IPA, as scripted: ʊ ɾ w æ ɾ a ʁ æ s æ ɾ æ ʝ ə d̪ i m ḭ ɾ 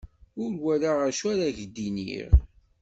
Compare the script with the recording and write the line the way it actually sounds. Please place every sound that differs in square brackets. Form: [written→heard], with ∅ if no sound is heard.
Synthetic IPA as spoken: ʊ ɾ w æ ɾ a ʁ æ [s→ʃ] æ ɾ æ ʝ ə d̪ i [m→n] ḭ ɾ